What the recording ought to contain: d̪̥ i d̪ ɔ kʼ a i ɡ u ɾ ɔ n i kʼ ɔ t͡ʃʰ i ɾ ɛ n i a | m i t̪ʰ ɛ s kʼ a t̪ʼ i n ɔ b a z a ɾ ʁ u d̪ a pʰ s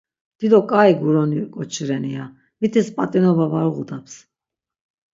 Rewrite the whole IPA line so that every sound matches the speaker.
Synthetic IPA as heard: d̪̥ i d̪ ɔ kʼ a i ɡ u ɾ ɔ n i kʼ ɔ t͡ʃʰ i ɾ ɛ n i a | m i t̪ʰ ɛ s pʼ a t̪ʼ i n ɔ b a v a ɾ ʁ u d̪ a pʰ s